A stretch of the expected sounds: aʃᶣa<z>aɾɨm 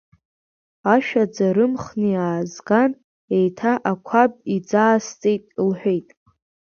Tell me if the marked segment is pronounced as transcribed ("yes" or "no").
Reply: no